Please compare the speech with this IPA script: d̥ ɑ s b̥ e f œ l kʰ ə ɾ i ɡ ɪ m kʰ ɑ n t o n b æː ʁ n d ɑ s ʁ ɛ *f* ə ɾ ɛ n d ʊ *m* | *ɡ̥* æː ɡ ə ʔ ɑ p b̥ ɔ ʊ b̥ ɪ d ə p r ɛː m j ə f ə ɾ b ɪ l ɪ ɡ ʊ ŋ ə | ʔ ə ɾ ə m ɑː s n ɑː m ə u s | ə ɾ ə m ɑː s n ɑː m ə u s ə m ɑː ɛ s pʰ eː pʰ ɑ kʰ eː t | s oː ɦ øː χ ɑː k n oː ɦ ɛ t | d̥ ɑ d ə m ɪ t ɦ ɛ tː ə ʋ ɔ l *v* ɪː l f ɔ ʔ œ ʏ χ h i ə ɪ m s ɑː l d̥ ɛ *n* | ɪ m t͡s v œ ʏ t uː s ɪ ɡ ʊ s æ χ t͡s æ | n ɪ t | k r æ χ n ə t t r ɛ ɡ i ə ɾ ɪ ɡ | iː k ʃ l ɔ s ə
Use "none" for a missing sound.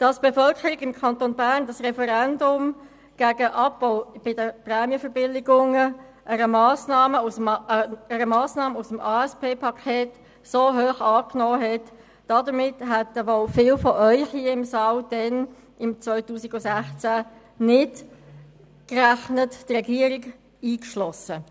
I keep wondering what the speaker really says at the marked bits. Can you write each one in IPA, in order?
f, m, ɡ̥, f, n

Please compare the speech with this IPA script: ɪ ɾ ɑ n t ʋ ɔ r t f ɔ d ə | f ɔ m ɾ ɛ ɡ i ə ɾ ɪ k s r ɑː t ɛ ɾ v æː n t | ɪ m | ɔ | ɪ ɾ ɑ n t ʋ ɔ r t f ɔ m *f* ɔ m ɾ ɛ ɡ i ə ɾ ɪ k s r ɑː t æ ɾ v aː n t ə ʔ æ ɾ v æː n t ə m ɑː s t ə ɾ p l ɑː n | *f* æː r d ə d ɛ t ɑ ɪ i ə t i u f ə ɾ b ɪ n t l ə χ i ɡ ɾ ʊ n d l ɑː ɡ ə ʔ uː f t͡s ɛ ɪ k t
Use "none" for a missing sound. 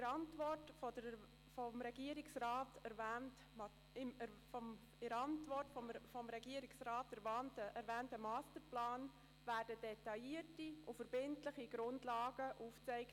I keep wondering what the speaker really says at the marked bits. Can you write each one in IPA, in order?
f, v

